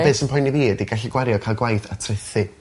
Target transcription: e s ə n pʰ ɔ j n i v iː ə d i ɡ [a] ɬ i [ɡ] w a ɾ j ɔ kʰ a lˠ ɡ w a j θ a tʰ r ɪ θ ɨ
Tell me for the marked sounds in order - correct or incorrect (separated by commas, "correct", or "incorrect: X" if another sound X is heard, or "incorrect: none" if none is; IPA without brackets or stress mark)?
correct, correct